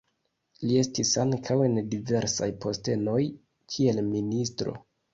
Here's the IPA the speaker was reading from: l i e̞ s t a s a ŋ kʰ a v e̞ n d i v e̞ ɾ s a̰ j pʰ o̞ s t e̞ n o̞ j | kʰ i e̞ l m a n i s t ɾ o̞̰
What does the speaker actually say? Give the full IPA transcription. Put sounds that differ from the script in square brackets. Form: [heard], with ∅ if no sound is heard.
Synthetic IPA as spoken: l i e̞ s t [i] s a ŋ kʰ a [w] e̞ n d i v e̞ ɾ s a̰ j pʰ o̞ s t e̞ n o̞ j | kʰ i e̞ l m [i] n i s t ɾ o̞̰